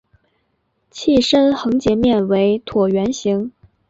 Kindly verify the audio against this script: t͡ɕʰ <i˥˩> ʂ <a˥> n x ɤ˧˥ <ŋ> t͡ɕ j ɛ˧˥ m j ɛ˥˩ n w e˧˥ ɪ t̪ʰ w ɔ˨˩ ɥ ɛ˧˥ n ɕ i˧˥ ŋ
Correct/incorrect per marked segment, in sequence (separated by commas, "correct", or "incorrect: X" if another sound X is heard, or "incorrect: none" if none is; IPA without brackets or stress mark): correct, incorrect: ə˥, correct